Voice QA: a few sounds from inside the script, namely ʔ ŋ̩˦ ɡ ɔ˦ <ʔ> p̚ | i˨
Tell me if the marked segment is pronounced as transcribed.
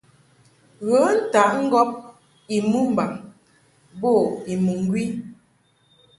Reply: no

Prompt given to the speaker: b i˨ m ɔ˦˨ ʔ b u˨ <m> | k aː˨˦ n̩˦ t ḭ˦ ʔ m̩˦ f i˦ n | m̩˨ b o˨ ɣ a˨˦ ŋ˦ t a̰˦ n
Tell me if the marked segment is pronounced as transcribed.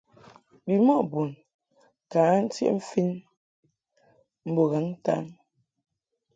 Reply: no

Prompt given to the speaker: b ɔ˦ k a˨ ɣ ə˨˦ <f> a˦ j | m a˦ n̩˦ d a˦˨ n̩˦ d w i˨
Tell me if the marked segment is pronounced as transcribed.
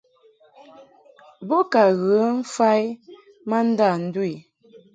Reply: yes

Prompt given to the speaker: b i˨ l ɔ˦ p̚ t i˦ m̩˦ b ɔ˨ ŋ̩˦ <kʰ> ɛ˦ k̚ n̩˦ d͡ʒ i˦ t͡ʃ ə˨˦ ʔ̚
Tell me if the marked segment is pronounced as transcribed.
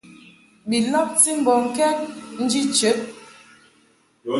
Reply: no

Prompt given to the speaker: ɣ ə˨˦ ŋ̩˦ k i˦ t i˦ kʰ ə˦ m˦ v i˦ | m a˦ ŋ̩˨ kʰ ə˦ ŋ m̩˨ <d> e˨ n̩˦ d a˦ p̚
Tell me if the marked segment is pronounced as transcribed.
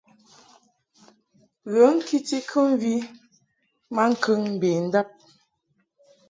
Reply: no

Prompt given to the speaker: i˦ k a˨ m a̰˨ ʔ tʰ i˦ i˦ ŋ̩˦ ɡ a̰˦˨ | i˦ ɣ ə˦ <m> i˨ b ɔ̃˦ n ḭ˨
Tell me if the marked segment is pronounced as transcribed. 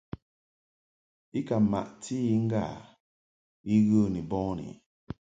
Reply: no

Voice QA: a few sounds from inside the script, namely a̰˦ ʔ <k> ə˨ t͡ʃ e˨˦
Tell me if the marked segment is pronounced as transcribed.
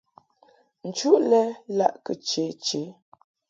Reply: yes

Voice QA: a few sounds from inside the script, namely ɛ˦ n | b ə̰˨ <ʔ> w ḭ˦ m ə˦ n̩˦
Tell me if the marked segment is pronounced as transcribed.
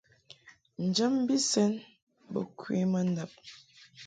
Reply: no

